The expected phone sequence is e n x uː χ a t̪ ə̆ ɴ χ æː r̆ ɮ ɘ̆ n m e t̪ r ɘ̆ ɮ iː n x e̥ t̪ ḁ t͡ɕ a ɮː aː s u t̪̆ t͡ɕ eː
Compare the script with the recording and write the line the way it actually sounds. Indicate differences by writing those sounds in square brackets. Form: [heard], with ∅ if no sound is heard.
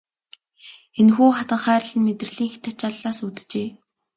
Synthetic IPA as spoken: e n x uː χ a t̪ ə̆ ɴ χ æː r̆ ɮ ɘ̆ n m e t̪ r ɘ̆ ɮ iː [ŋ] x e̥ t̪ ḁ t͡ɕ a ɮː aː s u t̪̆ t͡ɕ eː